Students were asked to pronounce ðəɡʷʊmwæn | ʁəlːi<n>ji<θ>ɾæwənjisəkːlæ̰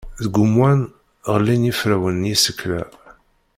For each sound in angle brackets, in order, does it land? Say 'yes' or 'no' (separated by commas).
yes, no